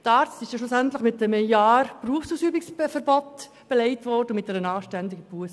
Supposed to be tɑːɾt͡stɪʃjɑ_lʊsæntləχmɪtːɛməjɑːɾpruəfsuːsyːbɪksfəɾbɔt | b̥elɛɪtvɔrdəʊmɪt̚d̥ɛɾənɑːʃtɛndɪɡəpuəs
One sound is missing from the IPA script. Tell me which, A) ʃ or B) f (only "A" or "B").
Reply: A